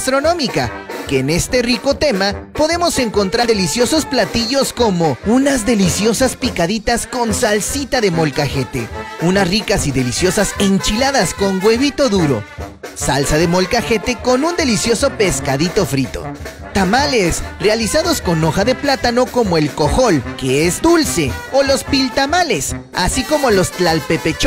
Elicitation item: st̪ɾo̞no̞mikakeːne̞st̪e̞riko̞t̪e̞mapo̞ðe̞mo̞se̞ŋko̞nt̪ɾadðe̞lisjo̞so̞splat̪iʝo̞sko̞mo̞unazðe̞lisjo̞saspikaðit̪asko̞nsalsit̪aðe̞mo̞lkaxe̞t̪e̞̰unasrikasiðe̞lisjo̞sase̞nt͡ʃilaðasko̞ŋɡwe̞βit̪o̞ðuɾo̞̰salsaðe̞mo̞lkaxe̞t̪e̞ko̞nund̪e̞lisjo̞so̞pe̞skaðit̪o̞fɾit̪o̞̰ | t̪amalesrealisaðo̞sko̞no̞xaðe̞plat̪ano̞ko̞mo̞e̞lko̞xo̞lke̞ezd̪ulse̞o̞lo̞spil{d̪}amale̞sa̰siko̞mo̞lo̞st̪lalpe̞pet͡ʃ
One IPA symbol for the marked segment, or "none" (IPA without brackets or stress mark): t̪